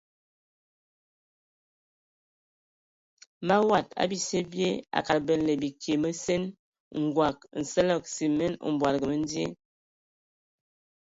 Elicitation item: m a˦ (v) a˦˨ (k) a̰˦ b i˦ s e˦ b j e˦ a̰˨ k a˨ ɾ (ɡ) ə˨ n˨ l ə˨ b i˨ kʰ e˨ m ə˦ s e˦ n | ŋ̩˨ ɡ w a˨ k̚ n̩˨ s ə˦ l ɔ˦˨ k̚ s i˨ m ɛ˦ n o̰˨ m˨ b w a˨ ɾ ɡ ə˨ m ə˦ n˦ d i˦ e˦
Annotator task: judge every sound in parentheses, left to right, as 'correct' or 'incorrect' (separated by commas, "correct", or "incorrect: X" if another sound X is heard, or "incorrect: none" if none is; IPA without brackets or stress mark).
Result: incorrect: w, incorrect: t, incorrect: b